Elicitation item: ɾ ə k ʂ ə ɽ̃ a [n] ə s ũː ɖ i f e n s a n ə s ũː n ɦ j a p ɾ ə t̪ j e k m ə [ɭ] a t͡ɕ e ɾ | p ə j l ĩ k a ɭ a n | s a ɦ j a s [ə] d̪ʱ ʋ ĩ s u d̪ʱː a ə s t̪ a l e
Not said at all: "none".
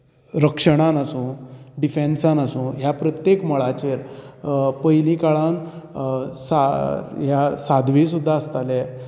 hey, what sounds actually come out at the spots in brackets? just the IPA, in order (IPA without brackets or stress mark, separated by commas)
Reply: n, ɭ, a